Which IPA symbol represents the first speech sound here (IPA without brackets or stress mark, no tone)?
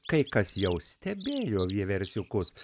k